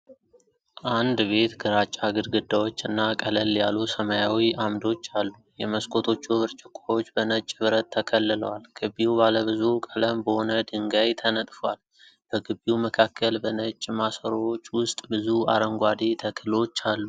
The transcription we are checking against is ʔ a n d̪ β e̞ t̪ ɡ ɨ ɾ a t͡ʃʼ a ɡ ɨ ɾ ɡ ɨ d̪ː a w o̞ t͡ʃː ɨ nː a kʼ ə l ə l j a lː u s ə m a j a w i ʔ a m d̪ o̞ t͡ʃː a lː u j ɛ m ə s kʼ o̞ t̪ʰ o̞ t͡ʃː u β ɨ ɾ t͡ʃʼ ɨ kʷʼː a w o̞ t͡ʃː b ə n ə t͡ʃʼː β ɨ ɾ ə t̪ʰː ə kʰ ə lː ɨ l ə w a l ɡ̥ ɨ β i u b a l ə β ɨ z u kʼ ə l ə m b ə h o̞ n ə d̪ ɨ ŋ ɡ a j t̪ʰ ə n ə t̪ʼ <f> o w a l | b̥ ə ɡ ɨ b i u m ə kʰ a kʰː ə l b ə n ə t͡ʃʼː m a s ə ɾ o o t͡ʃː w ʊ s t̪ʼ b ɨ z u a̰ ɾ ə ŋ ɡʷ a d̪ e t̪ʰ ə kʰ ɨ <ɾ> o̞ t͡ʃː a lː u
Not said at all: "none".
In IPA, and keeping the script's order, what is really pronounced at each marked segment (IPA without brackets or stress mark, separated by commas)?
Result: f, l